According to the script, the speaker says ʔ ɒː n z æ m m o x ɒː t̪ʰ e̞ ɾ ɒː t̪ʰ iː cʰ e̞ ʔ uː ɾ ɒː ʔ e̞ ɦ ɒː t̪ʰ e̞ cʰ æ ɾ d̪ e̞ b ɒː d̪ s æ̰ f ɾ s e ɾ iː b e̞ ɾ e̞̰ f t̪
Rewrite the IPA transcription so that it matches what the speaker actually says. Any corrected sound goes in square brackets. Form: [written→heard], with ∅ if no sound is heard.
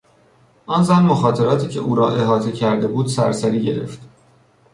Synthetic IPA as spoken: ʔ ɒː n z æ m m o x ɒː t̪ʰ e̞ ɾ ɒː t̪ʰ iː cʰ e̞ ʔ uː ɾ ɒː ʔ e̞ ɦ ɒː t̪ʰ e̞ cʰ æ ɾ d̪ e̞ b [ɒː→uː] d̪ s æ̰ [f→∅] ɾ s [e→æ] ɾ iː [b→ɟ] e̞ ɾ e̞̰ f t̪